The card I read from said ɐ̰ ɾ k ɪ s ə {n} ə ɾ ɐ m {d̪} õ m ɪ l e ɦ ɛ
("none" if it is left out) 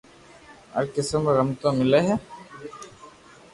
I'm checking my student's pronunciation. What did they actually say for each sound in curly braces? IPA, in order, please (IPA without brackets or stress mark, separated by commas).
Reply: m, t̪